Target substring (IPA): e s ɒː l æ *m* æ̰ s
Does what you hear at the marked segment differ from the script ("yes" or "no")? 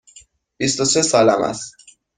no